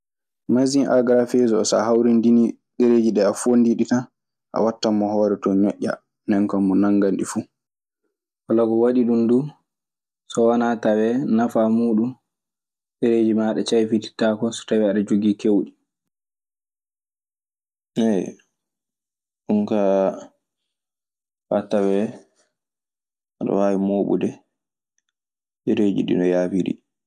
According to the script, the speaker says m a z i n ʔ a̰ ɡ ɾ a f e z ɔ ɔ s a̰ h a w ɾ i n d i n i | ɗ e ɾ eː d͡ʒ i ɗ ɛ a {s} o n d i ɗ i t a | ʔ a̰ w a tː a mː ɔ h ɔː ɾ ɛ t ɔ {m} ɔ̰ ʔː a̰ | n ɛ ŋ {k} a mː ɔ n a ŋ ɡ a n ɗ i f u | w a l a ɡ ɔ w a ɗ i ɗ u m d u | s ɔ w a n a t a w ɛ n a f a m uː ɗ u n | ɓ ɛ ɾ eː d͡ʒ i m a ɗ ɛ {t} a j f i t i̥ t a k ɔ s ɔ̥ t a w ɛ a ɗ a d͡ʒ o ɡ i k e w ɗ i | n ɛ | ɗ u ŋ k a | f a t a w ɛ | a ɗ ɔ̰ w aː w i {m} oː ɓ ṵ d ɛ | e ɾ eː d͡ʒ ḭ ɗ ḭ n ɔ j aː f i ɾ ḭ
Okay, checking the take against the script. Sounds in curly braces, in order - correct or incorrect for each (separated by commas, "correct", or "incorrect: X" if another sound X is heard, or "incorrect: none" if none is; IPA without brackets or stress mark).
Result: incorrect: f, incorrect: ɲ, correct, incorrect: t͡ʃ, correct